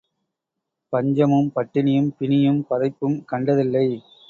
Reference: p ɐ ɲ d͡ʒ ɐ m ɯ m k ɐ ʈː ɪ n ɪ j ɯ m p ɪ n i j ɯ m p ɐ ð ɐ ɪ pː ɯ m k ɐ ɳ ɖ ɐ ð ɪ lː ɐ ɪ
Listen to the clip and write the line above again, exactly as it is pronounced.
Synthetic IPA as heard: p ɐ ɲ d͡ʒ ɐ m ɯ m p ɐ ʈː ɪ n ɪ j ɯ m p ɪ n ɪ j ɯ m p ɐ ð ɐ ɪ pː ɯ m k ɐ ɳ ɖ ɐ ð ɪ lː ɐ ɪ